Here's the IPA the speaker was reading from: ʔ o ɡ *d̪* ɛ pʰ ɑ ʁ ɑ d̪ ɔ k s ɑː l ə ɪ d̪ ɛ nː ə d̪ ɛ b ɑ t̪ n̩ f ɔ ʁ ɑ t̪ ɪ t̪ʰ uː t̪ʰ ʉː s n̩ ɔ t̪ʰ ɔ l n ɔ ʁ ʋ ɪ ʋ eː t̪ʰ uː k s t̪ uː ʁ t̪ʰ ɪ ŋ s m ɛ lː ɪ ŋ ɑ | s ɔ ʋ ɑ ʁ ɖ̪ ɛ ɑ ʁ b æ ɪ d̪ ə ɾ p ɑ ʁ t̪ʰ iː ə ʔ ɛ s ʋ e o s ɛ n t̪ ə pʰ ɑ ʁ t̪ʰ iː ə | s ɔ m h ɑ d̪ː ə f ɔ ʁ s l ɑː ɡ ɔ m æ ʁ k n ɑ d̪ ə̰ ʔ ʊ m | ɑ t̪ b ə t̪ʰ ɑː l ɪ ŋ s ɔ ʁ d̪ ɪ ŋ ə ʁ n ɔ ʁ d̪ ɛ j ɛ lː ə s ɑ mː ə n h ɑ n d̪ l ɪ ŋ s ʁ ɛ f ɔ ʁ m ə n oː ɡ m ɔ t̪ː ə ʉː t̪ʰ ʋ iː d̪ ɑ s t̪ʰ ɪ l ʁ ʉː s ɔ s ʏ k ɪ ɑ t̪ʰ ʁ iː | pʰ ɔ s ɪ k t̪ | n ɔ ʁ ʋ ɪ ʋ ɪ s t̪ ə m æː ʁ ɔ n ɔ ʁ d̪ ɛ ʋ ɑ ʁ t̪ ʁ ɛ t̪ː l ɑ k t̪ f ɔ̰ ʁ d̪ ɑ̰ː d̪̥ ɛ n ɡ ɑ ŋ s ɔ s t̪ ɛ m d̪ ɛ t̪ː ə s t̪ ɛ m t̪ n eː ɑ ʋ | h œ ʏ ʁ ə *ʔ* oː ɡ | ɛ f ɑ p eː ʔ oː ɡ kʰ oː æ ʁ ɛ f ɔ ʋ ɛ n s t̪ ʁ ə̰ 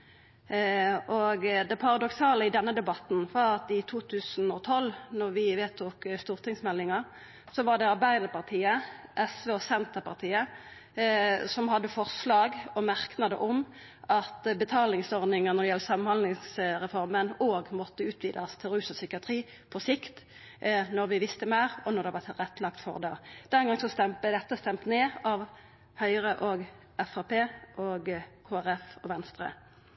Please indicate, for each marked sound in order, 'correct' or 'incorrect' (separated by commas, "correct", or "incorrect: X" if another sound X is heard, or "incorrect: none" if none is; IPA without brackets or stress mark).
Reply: correct, correct